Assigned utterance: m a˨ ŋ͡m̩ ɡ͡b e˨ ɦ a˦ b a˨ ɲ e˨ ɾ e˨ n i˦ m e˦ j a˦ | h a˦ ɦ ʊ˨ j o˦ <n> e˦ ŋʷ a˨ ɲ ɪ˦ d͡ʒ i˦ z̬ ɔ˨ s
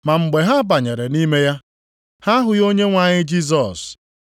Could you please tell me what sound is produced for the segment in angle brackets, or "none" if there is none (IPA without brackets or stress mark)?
ɲ